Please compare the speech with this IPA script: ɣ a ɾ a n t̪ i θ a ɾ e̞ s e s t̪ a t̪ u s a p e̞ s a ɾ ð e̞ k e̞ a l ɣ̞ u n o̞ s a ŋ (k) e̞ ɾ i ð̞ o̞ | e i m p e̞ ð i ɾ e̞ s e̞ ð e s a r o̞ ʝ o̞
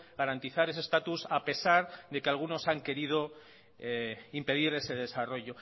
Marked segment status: correct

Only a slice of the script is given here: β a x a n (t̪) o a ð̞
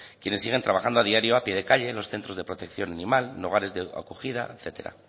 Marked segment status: incorrect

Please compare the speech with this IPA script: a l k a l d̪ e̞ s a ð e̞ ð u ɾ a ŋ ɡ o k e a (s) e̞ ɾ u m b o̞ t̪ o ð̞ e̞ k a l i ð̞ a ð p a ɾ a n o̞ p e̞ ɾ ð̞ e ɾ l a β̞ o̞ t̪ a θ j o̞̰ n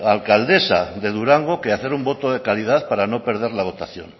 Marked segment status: incorrect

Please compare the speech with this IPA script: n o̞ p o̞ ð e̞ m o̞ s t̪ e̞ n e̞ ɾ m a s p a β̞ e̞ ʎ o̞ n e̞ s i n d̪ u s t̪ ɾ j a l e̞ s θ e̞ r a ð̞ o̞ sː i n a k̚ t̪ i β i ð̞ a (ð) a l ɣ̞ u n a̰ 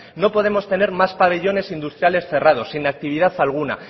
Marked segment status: incorrect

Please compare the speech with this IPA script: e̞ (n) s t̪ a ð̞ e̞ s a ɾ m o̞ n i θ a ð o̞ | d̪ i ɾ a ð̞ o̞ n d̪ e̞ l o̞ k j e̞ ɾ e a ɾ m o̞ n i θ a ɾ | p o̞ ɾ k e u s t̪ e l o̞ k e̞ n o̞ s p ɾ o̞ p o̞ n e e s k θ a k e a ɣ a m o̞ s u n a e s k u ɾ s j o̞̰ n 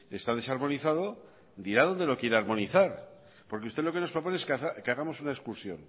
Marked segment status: incorrect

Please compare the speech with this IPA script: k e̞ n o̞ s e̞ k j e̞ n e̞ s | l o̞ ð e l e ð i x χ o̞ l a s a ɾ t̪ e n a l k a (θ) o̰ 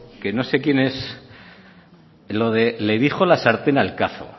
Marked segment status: correct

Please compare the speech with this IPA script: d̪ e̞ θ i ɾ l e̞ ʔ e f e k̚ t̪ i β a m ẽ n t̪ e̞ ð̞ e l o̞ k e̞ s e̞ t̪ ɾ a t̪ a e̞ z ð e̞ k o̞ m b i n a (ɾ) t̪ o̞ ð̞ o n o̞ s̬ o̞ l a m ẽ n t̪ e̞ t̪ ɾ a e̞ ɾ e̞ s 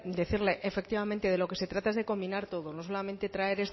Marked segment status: correct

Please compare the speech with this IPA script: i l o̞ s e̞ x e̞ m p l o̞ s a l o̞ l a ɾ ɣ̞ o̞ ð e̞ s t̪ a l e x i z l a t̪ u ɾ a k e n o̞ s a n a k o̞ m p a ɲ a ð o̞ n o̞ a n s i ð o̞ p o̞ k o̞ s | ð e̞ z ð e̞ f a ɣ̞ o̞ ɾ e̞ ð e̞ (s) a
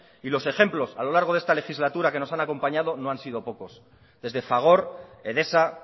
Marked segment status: correct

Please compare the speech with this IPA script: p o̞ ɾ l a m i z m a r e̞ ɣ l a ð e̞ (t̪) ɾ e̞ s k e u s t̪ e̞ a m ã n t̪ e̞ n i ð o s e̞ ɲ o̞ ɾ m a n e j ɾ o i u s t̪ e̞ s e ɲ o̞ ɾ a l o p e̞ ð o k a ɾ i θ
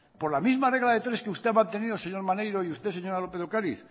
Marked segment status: correct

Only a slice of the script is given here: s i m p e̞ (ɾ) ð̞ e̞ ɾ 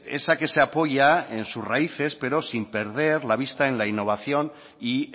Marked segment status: correct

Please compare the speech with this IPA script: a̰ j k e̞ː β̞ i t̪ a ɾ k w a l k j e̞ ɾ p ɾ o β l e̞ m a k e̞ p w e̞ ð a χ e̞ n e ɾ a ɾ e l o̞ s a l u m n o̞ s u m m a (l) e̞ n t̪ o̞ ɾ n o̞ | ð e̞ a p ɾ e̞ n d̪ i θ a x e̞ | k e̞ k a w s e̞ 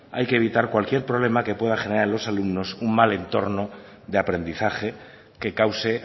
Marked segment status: correct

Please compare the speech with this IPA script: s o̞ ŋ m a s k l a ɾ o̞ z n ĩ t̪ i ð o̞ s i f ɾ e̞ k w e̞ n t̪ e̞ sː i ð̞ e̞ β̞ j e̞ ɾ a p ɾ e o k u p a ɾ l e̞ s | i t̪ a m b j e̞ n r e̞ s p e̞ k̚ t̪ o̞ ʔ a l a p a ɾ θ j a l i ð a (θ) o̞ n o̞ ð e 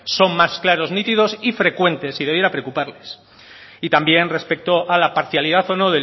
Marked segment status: correct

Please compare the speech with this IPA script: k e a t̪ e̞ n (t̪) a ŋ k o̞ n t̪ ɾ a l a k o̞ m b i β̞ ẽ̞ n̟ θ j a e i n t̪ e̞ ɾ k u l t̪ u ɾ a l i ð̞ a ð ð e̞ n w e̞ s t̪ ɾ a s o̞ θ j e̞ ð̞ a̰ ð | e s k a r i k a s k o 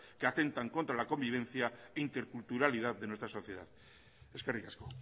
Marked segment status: correct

